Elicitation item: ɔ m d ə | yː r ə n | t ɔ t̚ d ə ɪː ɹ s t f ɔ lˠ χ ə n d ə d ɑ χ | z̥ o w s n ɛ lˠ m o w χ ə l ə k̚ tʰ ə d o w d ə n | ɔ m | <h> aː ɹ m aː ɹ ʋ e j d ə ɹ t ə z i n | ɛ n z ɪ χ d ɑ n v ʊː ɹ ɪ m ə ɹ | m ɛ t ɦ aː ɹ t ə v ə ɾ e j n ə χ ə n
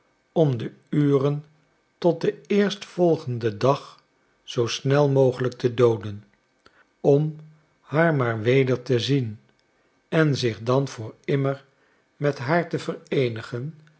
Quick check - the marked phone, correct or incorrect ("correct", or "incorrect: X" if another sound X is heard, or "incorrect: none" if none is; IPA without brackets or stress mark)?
correct